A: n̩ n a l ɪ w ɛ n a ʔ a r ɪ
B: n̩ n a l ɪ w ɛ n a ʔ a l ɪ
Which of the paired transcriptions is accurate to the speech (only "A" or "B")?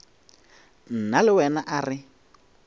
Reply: A